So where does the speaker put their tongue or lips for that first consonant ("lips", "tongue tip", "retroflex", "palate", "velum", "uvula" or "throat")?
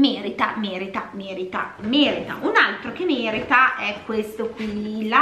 lips